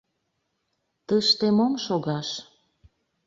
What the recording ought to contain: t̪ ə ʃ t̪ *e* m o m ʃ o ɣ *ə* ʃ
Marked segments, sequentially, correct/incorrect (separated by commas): correct, incorrect